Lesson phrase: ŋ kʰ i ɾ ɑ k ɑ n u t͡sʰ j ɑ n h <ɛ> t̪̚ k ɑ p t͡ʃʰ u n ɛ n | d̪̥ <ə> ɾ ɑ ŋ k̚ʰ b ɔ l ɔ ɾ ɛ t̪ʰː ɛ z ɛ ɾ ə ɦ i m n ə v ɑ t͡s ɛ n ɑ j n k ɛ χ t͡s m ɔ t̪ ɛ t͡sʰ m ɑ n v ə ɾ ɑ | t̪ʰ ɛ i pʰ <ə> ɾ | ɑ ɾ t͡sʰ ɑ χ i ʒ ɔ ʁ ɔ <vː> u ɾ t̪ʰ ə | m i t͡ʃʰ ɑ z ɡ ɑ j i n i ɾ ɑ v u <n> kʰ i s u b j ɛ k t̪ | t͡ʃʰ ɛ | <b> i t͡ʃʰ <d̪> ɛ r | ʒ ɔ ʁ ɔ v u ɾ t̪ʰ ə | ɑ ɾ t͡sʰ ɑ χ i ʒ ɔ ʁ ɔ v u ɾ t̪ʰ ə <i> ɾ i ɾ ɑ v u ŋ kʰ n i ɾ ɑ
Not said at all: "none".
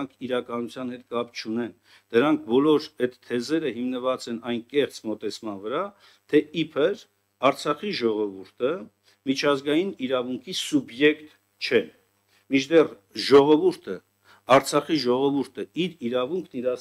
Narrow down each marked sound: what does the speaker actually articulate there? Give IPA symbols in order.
ɛ, ə, ə, v, ŋ, m, d̪, i

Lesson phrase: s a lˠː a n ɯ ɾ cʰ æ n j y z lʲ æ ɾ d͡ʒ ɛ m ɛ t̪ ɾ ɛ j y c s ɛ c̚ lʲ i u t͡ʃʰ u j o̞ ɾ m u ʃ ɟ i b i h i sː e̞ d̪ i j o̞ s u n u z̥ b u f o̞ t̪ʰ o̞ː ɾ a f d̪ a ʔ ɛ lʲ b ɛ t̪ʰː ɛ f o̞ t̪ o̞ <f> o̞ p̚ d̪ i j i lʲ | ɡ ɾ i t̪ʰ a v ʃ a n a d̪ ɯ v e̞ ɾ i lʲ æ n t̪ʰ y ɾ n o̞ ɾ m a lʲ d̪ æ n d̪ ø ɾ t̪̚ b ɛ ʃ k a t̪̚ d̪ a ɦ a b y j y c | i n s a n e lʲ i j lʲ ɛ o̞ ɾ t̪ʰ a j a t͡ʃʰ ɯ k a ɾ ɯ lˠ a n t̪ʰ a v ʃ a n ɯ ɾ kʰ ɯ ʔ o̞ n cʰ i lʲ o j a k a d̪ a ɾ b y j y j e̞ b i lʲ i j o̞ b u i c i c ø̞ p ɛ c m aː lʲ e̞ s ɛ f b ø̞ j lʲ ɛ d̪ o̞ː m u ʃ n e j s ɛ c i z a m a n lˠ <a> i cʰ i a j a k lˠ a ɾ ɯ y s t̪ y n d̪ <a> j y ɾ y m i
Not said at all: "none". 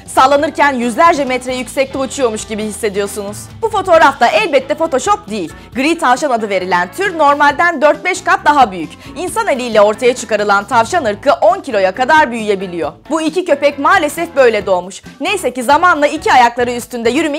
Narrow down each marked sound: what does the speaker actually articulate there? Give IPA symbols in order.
ʃ, a, ɛ

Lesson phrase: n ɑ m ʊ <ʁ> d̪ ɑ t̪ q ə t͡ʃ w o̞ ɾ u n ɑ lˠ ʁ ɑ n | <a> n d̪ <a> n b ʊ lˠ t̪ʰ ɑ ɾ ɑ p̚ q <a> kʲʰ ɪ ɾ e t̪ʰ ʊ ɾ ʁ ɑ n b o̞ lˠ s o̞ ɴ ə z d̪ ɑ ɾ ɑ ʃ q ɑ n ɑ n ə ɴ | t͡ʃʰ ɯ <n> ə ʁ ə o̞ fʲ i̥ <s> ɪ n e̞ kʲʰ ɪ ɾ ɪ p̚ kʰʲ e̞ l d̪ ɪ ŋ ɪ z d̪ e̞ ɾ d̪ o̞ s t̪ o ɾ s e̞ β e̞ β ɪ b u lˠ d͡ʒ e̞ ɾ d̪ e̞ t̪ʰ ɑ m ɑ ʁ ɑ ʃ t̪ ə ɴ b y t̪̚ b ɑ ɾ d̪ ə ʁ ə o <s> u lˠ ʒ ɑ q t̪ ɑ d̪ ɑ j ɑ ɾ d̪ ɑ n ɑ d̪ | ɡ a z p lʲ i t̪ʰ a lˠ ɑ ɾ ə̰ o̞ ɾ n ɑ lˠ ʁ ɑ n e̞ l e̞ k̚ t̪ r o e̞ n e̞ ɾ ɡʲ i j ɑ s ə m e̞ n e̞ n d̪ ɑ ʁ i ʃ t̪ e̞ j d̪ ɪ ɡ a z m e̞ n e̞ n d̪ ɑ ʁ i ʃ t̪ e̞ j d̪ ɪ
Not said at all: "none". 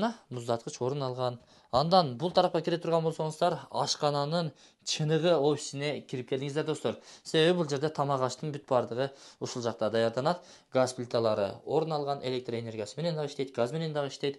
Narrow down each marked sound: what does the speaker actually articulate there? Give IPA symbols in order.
z, ɑ, ɑ, ɑ, n, s, ʃ

